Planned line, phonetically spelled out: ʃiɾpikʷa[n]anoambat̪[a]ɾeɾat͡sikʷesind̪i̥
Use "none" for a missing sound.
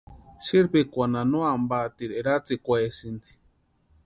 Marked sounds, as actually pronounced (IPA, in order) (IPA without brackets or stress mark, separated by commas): n, i